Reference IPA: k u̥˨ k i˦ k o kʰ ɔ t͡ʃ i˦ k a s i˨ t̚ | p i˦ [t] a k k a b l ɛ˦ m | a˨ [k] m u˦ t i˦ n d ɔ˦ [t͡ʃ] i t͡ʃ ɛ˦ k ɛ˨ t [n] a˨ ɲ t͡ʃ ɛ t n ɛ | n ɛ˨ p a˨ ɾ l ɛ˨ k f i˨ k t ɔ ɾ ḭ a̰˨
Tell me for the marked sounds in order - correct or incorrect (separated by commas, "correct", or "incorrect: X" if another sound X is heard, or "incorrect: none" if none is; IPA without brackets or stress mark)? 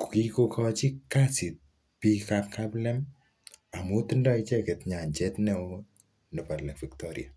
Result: incorrect: k, incorrect: none, incorrect: none, incorrect: ɲ